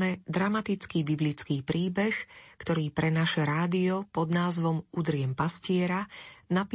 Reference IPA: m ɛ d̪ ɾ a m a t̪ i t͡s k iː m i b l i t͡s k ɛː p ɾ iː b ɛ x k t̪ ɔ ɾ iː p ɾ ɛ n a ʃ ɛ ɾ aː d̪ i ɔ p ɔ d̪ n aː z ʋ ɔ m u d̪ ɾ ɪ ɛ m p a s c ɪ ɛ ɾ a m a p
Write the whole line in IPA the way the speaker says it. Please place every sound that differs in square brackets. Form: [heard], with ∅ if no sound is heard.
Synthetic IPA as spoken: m ɛ d̪ ɾ a m a t̪ i t͡s k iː [b] i b l i t͡s k [iː] p ɾ iː b ɛ x k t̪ ɔ ɾ iː p ɾ ɛ n a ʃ ɛ ɾ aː d̪ i ɔ p ɔ d̪ n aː z ʋ ɔ m u d̪ ɾ ɪ ɛ m p a s c ɪ ɛ ɾ a [n] a p